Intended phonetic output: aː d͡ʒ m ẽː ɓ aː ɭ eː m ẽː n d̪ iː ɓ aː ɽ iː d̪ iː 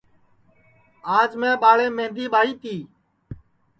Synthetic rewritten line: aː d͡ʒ m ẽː ɓ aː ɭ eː m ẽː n d̪ iː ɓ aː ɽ iː t̪ iː